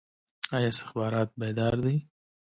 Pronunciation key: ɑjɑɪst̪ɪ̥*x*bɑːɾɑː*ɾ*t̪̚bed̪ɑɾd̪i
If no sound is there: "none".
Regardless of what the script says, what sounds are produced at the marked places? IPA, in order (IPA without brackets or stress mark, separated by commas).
x, none